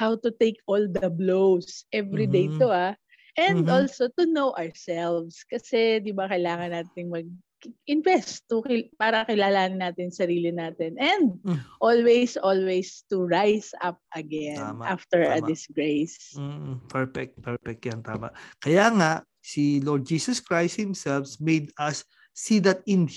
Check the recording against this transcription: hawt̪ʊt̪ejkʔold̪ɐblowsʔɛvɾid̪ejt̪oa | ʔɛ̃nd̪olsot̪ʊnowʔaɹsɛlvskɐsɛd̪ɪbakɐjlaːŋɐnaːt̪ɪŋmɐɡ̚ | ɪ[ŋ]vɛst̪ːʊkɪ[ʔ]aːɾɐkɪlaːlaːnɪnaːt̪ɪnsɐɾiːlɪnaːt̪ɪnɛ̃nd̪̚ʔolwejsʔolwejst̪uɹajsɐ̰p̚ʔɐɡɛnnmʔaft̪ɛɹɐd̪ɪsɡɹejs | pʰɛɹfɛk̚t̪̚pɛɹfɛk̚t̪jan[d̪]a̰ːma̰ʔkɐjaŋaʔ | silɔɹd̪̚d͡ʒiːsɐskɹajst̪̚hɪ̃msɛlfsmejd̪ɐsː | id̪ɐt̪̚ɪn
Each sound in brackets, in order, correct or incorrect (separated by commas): incorrect, incorrect, incorrect